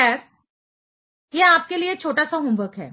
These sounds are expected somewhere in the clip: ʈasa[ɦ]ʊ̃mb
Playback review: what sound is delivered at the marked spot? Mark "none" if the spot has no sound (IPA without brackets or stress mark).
ɦ